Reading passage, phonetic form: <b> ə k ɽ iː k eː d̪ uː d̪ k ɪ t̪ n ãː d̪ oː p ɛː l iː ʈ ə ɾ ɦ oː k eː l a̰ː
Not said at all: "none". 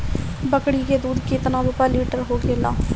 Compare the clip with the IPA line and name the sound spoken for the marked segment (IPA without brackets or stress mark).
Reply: b